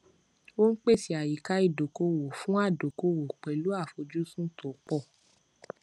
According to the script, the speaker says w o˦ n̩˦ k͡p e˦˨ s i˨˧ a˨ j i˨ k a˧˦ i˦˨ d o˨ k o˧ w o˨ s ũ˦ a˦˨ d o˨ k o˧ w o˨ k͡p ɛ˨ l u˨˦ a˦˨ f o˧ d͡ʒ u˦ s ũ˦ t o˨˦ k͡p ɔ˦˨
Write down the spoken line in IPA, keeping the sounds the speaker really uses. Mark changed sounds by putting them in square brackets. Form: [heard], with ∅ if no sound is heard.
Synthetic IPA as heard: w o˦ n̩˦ k͡p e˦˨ s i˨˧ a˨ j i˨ k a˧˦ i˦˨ d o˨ k o˧ w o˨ [f] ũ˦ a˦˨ d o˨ k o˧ w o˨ k͡p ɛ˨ l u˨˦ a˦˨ f o˧ d͡ʒ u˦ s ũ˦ t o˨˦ k͡p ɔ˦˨